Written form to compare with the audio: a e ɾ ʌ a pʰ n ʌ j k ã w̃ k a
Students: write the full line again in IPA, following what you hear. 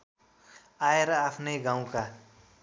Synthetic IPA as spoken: a e ɾ ʌ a pʰ n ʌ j ɡ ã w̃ k a